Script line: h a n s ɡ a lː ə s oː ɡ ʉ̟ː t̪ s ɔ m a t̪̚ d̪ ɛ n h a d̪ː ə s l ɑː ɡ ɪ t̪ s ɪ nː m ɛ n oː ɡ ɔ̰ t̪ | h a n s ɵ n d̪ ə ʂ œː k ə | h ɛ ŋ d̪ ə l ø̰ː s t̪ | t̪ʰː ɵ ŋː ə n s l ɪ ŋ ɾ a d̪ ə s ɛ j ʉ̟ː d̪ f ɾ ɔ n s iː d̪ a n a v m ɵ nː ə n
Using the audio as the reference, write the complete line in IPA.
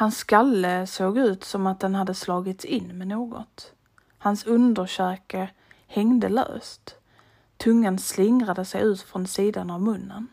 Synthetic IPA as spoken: h a n s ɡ a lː ə s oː ɡ ʉ̟ː t̪ s ɔ m a t̪̚ d̪ ɛ n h a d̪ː ə s l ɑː ɡ ɪ t̪ s ɪ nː m ɛ n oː ɡ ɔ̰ t̪ | h a n s ɵ n d̪ ə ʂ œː k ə | h ɛ ŋ d̪ ə l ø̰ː s t̪ | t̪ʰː ɵ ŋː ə n s l ɪ ŋ ɾ a d̪ ə s ɛ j ʉ̟ː t̪ f ɾ ɔ n s iː d̪ a n a v m ɵ nː ə n